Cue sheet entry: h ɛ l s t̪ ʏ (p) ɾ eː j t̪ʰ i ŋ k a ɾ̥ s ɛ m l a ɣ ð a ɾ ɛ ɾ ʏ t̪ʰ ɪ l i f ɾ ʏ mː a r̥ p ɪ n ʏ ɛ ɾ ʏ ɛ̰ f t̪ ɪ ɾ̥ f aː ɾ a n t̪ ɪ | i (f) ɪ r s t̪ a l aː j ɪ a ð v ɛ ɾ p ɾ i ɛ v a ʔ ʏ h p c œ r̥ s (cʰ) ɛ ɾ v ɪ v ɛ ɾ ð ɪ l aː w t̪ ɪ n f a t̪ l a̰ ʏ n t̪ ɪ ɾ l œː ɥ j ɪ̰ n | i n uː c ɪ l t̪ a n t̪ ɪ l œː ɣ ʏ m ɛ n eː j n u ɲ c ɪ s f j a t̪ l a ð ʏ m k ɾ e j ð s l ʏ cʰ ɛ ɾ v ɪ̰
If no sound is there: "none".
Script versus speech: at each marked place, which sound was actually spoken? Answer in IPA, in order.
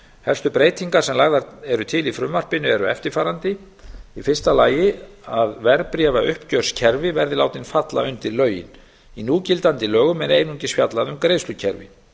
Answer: p, f, cʰ

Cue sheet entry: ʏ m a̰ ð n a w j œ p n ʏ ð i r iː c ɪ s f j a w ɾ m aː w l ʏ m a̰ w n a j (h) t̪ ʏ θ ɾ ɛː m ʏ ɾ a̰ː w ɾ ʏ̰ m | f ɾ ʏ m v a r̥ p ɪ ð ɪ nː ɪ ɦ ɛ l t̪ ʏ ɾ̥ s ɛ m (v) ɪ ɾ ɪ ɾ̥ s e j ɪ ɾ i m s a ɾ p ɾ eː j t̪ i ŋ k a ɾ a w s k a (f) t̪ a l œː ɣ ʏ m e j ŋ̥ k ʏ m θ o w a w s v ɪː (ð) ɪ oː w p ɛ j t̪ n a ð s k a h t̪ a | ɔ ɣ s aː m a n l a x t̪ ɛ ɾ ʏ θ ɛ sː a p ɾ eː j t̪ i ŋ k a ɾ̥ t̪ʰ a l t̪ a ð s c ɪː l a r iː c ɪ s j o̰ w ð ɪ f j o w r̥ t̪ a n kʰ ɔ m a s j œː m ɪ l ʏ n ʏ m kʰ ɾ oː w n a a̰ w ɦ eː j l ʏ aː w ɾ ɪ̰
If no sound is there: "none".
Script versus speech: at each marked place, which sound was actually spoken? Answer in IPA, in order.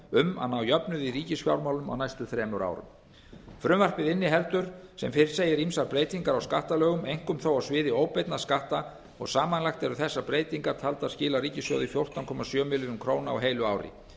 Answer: s, f, h, ð

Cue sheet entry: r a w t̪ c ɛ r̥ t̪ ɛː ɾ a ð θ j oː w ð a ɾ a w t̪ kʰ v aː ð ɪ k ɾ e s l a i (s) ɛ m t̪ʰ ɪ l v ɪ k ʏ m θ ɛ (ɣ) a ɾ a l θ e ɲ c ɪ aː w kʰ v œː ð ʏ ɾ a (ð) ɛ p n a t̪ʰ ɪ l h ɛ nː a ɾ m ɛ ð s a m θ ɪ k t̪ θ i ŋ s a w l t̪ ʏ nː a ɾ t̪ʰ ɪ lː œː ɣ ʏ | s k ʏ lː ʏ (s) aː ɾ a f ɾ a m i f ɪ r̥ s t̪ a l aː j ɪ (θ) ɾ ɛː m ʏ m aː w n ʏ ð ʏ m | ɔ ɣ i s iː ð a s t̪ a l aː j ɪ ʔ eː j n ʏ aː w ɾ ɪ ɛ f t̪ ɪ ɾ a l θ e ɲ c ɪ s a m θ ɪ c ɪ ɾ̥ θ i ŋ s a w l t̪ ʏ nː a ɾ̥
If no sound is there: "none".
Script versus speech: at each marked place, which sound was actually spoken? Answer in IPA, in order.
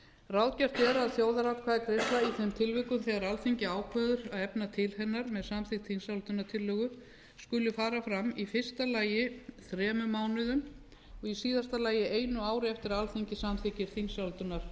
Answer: θ, ɣ, ð, f, θ

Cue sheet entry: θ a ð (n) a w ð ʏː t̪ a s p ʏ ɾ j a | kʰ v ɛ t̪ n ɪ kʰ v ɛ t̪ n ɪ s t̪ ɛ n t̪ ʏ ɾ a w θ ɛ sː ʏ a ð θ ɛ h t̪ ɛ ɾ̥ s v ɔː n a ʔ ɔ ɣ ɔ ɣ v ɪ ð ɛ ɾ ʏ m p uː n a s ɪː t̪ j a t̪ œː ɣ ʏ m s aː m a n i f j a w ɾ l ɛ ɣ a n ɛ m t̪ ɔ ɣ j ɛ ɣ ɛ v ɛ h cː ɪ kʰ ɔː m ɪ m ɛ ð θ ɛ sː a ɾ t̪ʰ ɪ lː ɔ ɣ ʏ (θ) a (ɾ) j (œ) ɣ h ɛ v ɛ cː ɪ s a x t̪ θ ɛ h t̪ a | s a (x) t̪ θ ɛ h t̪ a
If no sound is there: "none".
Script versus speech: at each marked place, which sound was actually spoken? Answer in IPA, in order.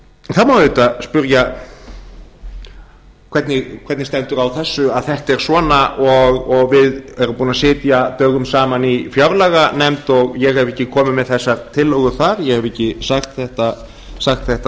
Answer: m, θ, ɾ, ɛ, x

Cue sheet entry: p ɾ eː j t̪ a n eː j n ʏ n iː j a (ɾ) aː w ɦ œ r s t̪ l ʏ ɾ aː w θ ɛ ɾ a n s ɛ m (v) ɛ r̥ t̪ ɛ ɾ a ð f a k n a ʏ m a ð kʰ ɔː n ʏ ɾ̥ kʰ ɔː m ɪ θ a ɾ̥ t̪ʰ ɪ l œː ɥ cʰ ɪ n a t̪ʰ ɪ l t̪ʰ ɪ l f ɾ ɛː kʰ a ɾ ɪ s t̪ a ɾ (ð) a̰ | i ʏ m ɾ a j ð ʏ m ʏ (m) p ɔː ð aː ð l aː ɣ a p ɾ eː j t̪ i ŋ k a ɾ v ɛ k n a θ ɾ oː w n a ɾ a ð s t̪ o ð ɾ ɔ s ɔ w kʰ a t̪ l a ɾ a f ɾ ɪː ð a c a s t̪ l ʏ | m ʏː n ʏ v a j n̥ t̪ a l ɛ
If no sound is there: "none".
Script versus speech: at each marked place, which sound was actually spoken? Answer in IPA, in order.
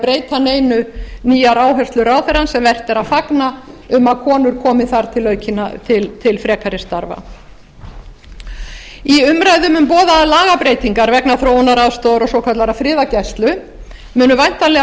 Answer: ɾ, v, v, m

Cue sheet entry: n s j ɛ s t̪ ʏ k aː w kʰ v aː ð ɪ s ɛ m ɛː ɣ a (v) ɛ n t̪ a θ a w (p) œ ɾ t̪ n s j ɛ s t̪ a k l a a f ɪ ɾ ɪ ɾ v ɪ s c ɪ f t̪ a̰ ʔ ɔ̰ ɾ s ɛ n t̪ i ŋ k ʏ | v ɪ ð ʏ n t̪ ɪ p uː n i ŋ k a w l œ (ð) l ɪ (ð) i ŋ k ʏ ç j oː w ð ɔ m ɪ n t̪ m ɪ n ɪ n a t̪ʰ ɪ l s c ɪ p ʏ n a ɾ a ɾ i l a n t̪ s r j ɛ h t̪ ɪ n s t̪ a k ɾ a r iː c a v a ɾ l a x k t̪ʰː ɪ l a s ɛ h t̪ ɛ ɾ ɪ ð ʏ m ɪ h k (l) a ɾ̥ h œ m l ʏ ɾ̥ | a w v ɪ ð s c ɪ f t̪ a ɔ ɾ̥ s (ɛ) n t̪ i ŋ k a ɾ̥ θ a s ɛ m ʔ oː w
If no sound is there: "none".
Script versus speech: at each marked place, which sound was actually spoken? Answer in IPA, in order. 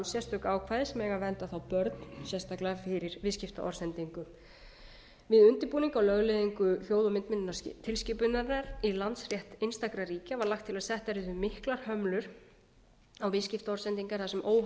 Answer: v, p, ɣ, ð, l, ɛ

